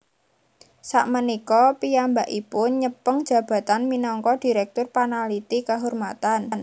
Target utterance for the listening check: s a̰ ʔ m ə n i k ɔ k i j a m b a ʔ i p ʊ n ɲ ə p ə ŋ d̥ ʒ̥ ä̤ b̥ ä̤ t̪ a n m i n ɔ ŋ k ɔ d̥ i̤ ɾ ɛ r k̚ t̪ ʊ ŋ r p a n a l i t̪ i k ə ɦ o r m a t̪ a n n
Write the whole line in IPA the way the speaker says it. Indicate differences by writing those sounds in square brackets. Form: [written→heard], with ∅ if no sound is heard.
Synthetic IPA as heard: s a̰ ʔ m ə n i k ɔ [k→p] i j a m b a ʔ i p ʊ n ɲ ə p ə ŋ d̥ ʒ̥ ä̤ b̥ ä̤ t̪ a n m i n ɔ ŋ k ɔ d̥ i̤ ɾ ɛ [r→∅] k̚ t̪ ʊ [ŋ→∅] r p a n a l i t̪ i k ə ɦ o r m a t̪ a n n